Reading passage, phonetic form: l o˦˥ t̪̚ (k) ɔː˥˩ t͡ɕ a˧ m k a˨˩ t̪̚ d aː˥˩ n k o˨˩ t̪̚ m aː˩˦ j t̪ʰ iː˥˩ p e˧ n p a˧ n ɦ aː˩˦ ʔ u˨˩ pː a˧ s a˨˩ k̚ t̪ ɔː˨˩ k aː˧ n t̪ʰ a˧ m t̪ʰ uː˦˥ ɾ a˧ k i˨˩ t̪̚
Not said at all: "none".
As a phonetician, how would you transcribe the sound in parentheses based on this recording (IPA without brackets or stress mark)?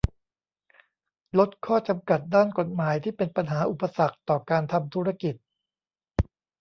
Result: kʰ